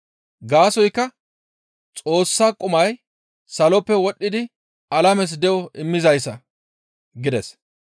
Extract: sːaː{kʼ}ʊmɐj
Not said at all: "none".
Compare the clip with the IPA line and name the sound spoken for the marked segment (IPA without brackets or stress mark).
kʼ